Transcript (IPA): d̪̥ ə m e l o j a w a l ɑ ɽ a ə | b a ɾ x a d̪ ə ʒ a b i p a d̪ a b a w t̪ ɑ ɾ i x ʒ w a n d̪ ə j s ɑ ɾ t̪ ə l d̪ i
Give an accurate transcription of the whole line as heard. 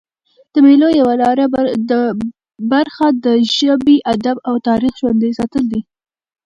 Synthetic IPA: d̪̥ ə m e l o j a w a l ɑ ɾ a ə | b a ɾ x a d̪ ə ʒ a b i ʔ a d̪ a b a w t̪ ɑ ɾ i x ʒ w a n d̪ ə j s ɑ t̪ ə l d̪ i